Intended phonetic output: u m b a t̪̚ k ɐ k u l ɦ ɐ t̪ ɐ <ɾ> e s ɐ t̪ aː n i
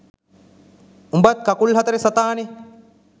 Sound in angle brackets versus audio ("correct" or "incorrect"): correct